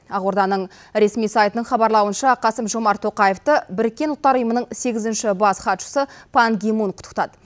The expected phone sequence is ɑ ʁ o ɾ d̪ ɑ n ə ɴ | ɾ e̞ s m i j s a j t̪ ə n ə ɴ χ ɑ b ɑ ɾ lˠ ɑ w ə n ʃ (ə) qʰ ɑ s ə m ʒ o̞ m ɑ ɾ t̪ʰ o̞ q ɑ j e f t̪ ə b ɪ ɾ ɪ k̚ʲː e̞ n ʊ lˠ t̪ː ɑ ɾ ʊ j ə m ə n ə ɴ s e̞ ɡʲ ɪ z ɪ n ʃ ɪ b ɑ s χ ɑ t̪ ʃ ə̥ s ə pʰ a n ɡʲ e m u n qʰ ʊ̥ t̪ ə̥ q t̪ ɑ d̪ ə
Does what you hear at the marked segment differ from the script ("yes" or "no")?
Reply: yes